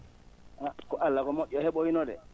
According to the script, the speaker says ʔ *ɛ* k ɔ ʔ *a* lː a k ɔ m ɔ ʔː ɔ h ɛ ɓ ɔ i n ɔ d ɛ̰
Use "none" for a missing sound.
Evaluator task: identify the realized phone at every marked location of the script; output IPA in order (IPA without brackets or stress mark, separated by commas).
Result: a, a